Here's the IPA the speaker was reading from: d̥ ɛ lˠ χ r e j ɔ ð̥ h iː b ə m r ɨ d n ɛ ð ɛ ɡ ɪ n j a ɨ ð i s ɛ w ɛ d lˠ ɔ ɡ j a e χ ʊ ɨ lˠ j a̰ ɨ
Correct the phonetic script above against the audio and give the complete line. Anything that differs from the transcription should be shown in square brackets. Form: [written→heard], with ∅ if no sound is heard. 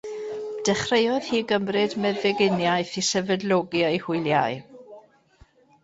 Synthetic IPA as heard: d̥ ɛ [lˠ→∅] χ r e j ɔ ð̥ h iː [b→ɡ] ə m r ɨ d [n→m] ɛ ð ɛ ɡ ɪ n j a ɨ [ð→θ] i s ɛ [w→v] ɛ d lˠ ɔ ɡ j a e [χ→h] ʊ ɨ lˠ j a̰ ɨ

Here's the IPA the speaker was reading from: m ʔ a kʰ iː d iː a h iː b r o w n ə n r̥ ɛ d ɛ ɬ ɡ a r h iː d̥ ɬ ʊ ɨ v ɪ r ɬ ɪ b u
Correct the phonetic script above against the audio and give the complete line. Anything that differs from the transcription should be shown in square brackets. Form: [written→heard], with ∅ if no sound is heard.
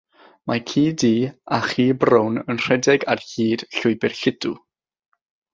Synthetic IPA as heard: m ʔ a kʰ iː d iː a [h→χ] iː b r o w n ə n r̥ ɛ d ɛ [ɬ→∅] ɡ a r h iː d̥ ɬ ʊ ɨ [v→b] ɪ r ɬ ɪ [b→d] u

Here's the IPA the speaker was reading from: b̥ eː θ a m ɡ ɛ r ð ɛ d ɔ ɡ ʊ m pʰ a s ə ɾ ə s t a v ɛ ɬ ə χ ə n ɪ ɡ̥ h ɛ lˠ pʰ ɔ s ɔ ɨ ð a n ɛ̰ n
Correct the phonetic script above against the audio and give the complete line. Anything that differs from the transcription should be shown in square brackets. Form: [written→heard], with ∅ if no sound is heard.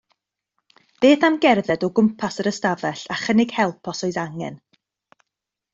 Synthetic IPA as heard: b̥ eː θ a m ɡ ɛ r ð ɛ d ɔ ɡ ʊ m pʰ a s ə ɾ ə s t a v ɛ ɬ [ə→a] χ ə n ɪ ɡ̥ h ɛ lˠ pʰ ɔ s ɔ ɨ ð a [n→ŋ] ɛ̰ n

